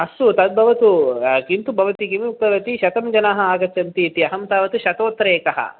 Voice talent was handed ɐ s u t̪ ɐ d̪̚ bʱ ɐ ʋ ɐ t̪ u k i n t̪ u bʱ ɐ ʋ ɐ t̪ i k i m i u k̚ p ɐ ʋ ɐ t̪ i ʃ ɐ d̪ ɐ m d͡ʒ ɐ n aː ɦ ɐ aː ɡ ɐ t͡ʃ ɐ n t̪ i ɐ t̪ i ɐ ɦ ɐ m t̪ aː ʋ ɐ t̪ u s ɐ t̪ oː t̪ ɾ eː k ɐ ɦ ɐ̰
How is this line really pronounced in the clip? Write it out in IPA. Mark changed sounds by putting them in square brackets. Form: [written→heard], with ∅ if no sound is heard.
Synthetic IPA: ɐ s u t̪ ɐ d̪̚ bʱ ɐ ʋ ɐ t̪ u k i n t̪ u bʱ ɐ ʋ ɐ t̪ i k i m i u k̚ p ɐ ʋ ɐ t̪ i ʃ ɐ [d̪→t̪] ɐ m d͡ʒ ɐ n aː ɦ ɐ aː ɡ ɐ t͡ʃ ɐ n t̪ i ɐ t̪ i ɐ ɦ ɐ m t̪ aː ʋ ɐ t̪ u [s→ʃ] ɐ t̪ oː t̪ ɾ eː k ɐ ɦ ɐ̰